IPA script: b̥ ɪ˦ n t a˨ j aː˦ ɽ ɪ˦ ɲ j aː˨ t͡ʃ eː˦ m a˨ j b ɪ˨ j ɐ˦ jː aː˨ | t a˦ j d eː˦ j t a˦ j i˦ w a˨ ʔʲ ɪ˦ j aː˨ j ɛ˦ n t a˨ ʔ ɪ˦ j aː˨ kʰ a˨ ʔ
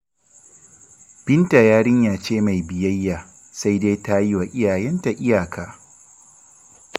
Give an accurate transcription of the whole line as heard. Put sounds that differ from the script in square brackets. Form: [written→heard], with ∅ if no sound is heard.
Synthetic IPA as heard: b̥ ɪ˦ n t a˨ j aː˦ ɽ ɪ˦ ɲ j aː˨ t͡ʃ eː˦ m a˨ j b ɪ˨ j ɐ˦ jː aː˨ | [t→s] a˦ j d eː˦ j t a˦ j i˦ w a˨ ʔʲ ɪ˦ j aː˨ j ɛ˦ n t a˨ ʔ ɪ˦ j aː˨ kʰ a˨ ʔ